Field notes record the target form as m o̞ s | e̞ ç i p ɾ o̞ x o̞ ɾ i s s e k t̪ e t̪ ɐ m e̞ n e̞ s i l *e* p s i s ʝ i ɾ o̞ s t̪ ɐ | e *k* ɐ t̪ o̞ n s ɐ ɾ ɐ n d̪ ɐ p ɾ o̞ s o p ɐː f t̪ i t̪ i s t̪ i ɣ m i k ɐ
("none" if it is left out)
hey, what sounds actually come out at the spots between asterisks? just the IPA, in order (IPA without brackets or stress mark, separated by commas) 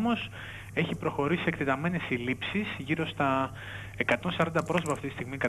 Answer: i, k